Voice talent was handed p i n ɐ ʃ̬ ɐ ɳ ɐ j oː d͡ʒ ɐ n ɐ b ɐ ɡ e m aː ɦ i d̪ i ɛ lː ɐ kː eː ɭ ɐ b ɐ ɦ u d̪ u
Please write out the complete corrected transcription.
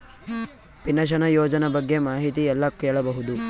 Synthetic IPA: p i n ɐ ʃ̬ ɐ n ɐ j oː d͡ʒ ɐ n ɐ b ɐ ɡː e m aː ɦ i t̪ i ɛ lː ɐ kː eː ɭ ɐ b ɐ ɦ u d̪ u

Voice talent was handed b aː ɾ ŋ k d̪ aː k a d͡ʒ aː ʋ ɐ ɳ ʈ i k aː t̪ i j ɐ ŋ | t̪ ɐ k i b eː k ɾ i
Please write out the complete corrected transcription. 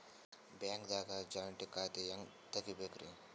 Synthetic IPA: b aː ŋ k d̪ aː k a d͡ʒ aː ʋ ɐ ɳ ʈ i k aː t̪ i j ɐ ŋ | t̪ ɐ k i b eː k ɾ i

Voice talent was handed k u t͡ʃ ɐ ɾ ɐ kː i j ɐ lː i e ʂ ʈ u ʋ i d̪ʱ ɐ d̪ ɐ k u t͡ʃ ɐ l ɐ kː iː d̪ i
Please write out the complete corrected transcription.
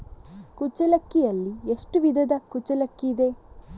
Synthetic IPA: k u t͡ʃ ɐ l ɐ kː i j ɐ lː i e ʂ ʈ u ʋ i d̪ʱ ɐ d̪ ɐ k u t͡ʃ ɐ l ɐ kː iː d̪ e

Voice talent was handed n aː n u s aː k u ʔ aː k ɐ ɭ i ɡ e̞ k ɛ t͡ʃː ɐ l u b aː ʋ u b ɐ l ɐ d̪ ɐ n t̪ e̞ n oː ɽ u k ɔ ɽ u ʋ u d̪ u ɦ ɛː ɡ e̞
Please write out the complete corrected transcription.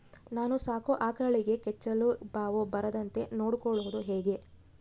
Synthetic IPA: n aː n u s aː k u ʔ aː k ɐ ɭ i ɡ e̞ k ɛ t͡ʃː ɐ l u b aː ʋ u b ɐ ɾ ɐ d̪ ɐ n t̪ e̞ n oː ɽ u k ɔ ɭ u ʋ u d̪ u ɦ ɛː ɡ e̞

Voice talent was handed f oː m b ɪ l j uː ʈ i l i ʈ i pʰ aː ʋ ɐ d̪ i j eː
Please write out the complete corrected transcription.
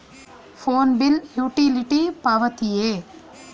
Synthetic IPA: f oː n b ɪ l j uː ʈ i l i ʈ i p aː ʋ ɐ t̪ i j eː

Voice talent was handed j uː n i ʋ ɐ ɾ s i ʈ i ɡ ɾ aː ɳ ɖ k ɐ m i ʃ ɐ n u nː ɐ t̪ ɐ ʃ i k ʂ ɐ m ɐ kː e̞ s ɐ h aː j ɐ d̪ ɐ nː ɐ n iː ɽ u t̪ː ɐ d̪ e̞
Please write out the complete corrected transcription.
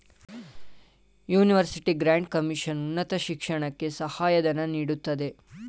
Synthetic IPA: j uː n i ʋ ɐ ɾ s i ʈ i ɡ ɾ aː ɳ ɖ k ɐ m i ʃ ɐ n u nː ɐ t̪ ɐ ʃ i k ʂ ɐ ɳ ɐ kː e̞ s ɐ h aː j ɐ d̪ ɐ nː ɐ n iː ɽ u t̪ː ɐ d̪ e̞

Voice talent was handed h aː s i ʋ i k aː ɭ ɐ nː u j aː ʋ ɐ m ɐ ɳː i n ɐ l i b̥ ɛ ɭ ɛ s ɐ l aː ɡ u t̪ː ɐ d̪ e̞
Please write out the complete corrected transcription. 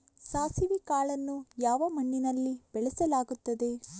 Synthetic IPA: s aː s i ʋ i k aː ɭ ɐ nː u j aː ʋ ɐ m ɐ ɳː i n ɐ lː i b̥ ɛ ɭ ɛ s ɐ l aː ɡ u t̪ː ɐ d̪ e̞

